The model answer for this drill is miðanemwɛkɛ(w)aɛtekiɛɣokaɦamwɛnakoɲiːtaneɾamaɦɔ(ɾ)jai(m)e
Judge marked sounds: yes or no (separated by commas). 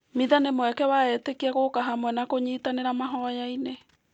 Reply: yes, no, no